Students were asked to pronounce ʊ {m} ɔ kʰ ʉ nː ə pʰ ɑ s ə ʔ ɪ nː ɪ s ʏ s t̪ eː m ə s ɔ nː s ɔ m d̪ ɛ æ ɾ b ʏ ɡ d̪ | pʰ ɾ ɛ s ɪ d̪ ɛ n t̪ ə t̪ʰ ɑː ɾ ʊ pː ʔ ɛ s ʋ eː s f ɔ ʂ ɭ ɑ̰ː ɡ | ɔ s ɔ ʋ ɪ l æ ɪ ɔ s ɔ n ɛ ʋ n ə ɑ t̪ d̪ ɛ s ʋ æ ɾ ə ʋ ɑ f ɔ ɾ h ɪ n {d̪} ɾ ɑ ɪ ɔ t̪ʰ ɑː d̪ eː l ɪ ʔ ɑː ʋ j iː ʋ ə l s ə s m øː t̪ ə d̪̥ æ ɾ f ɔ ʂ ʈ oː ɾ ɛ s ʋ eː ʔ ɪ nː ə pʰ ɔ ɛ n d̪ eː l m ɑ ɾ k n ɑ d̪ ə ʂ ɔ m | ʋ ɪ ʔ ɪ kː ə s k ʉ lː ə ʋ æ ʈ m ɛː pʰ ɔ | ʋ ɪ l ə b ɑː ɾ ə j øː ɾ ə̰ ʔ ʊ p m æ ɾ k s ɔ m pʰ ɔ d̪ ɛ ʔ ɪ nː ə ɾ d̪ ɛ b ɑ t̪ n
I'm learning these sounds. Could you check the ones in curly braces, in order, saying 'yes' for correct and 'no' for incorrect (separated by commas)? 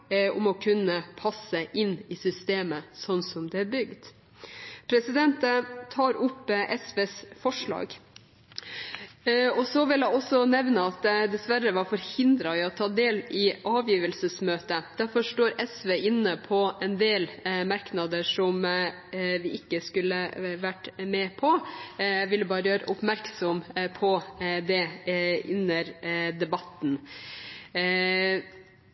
yes, yes